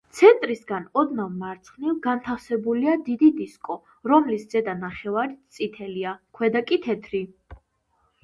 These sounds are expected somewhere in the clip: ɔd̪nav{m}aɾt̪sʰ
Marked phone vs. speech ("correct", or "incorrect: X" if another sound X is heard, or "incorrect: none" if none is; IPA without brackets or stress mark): correct